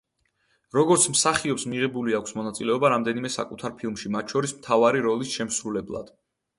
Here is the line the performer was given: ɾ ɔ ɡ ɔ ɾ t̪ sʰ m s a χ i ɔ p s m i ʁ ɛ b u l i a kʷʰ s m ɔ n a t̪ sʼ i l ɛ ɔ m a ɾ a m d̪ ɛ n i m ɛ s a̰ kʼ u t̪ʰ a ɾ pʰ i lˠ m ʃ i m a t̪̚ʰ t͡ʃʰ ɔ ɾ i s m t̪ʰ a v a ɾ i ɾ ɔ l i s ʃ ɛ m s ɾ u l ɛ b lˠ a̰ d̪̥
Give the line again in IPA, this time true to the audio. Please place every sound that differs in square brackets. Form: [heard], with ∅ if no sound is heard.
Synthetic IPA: ɾ ɔ ɡ ɔ ɾ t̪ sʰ m s a χ i ɔ p s m i ʁ ɛ b u l i a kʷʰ s m ɔ n a t̪ sʼ i l ɛ ɔ [b] a ɾ a m d̪ ɛ n i m ɛ s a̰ kʼ u t̪ʰ a ɾ pʰ i lˠ m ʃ i m a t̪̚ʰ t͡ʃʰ ɔ ɾ i s m t̪ʰ a v a ɾ i ɾ ɔ l i s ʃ ɛ m s ɾ u l ɛ b lˠ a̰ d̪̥

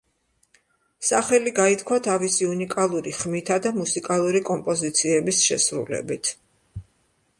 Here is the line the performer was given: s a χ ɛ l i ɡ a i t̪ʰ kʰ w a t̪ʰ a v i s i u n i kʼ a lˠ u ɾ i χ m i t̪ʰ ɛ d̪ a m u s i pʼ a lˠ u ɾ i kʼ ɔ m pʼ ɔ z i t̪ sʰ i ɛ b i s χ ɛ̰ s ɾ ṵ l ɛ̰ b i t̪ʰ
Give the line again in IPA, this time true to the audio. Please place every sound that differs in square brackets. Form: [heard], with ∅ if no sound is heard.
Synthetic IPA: s a χ ɛ l i ɡ a i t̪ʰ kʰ w a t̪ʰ a v i s i u n i kʼ a lˠ u ɾ i χ m i t̪ʰ [a] d̪ a m u s i [kʼ] a lˠ u ɾ i kʼ ɔ m pʼ ɔ z i t̪ sʰ i ɛ b i s [ʃ] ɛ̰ s ɾ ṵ l ɛ̰ b i t̪ʰ

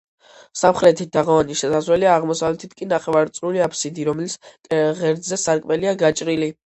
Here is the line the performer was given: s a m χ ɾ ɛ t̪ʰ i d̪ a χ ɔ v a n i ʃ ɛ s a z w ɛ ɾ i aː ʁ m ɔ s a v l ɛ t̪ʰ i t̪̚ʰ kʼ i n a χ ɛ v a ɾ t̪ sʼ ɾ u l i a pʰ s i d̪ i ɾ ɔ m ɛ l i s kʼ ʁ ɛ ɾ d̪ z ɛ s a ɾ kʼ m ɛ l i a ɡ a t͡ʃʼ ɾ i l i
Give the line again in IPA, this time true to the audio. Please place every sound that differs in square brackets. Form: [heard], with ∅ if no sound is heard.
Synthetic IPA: s a m χ ɾ ɛ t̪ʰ i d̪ a [ʁ] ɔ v a n i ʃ ɛ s a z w ɛ [l] i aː ʁ m ɔ s a v l ɛ t̪ʰ i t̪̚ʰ kʼ i n a χ ɛ v a ɾ t̪ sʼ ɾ u l i a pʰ s i d̪ i ɾ ɔ m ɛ l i s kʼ ʁ ɛ ɾ d̪ z ɛ s a ɾ kʼ m ɛ l i a ɡ a t͡ʃʼ ɾ i l i

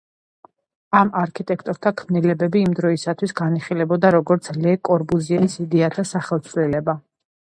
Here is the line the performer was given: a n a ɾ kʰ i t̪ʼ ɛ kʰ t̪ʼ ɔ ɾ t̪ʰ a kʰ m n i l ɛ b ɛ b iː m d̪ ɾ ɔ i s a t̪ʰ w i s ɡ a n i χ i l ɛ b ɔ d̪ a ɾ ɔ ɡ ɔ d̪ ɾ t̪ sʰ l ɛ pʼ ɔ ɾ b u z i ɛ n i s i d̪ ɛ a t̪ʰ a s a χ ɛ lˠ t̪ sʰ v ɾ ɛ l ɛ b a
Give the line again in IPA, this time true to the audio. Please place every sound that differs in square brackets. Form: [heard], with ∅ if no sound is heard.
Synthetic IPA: a [m] a ɾ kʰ i t̪ʼ ɛ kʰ t̪ʼ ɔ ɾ t̪ʰ a kʰ m n i l ɛ b ɛ b iː m d̪ ɾ ɔ i s a t̪ʰ w i s ɡ a n i χ i l ɛ b ɔ d̪ a ɾ ɔ ɡ ɔ [∅] ɾ t̪ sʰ l ɛ [kʼ] ɔ ɾ b u z i ɛ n i s i d̪ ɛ a t̪ʰ a s a χ ɛ lˠ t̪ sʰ v [l] ɛ l ɛ b a

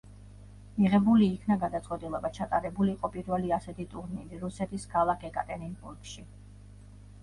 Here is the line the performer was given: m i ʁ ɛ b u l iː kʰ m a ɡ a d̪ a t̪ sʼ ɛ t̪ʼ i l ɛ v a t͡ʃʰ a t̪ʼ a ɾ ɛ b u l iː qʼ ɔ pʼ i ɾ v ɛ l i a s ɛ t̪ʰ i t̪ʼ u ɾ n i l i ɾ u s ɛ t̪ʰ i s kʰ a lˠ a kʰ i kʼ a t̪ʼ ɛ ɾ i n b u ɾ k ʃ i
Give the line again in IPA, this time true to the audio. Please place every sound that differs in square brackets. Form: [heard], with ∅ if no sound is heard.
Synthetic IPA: m i ʁ ɛ b u l iː kʰ [n] a ɡ a d̪ a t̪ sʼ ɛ t̪ʼ i l ɛ [b] a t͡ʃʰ a t̪ʼ a ɾ ɛ b u l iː qʼ ɔ pʼ i ɾ v ɛ l i a s ɛ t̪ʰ i t̪ʼ u ɾ n i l i ɾ u s ɛ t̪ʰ i s kʰ a lˠ a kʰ [ɛ] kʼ a t̪ʼ ɛ ɾ i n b u ɾ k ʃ i

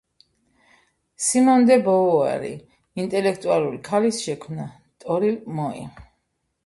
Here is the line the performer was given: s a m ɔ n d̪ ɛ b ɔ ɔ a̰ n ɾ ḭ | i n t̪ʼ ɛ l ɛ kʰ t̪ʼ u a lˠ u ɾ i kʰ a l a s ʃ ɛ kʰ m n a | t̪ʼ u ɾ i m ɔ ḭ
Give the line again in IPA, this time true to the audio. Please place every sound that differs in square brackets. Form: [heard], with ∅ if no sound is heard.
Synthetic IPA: s [i] m ɔ n d̪ ɛ b ɔ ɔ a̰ [∅] ɾ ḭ | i n t̪ʼ ɛ l ɛ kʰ t̪ʼ u a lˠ u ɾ i kʰ a l [i] s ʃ ɛ kʰ m n a | t̪ʼ [ɔ] ɾ i m ɔ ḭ

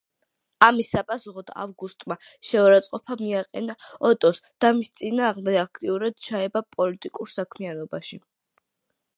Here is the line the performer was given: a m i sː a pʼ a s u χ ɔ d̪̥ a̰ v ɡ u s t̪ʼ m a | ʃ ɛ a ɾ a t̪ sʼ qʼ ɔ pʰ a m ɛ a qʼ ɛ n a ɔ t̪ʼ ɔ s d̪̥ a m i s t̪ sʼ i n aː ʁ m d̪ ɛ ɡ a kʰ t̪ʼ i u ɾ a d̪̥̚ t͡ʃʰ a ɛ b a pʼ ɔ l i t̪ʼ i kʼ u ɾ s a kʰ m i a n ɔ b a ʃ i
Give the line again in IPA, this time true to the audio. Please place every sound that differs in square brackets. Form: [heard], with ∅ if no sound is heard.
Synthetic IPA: a m i sː a pʼ a s u χ ɔ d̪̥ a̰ v ɡ u s t̪ʼ m a | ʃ ɛ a ɾ a t̪ sʼ qʼ ɔ pʰ a m [i] a qʼ ɛ n a ɔ t̪ʼ ɔ s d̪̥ a m i s t̪ sʼ i n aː ʁ m d̪ ɛ ɡ a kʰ t̪ʼ i u ɾ a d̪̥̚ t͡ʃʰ a ɛ b a pʼ ɔ l i t̪ʼ i kʼ u ɾ s a kʰ m i a n ɔ b a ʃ i

